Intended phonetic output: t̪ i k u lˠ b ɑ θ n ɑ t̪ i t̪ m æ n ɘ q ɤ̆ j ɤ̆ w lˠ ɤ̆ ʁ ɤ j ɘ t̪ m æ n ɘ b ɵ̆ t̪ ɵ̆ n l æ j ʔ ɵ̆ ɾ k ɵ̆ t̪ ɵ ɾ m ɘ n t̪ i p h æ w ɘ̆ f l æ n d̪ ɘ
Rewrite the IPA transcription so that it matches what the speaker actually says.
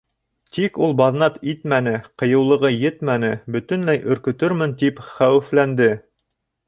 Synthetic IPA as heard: t̪ i k u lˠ b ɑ ð n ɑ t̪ i t̪ m æ n ɘ q ɤ̆ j ɤ̆ w lˠ ɤ̆ ʁ ɤ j ɘ t̪ m æ n ɘ b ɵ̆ t̪ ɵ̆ n l æ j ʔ ɵ̆ ɾ k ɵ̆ t̪ ɵ ɾ m ɘ n t̪ i p χ æ w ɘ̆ f l æ n d̪ ɘ